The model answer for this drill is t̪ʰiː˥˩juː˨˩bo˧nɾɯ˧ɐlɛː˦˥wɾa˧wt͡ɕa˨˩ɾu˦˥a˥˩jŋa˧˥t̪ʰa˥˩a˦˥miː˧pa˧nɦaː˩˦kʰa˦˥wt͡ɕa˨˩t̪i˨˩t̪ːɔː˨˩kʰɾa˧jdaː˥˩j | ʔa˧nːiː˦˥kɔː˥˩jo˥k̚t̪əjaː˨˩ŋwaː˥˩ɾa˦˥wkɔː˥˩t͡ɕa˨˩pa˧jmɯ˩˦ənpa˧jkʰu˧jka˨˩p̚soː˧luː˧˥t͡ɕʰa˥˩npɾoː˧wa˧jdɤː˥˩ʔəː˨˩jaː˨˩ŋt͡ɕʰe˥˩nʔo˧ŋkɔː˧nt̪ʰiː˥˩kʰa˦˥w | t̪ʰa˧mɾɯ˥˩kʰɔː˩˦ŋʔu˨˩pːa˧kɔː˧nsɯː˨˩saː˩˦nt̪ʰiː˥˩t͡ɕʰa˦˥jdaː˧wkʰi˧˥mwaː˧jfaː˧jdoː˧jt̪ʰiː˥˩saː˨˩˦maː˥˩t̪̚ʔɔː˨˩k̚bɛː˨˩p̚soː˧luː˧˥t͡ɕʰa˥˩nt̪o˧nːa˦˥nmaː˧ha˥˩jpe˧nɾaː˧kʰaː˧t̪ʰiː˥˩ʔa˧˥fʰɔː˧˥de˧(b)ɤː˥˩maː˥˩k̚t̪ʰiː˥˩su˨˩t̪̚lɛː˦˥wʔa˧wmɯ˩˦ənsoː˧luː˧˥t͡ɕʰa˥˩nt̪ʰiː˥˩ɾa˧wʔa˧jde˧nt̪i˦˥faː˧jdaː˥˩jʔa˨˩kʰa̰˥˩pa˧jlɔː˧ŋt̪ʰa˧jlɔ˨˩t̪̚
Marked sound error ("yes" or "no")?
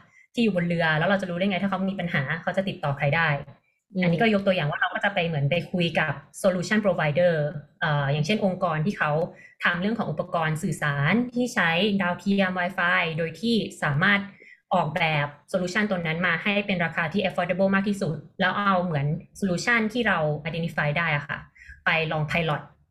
no